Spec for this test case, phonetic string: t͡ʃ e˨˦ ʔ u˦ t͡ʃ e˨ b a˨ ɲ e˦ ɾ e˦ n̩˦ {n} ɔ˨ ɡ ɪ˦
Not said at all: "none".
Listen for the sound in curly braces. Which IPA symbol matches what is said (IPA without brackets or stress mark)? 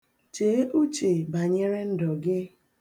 d